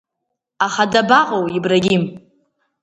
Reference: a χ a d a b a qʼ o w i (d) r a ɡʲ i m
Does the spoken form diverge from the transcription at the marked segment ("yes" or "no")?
yes